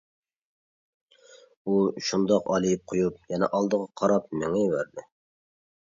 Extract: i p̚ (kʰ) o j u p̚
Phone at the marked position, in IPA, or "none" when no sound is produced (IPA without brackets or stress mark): qʰ